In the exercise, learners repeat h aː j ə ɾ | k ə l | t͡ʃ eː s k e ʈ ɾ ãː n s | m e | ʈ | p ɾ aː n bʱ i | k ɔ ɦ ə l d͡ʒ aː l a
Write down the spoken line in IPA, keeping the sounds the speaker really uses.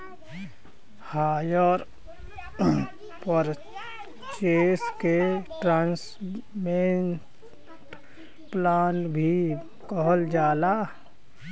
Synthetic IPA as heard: h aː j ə ɾ | p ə ɾ | t͡ʃ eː s k e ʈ ɾ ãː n s | m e | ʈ | p l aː n bʱ i | k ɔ ɦ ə l d͡ʒ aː l a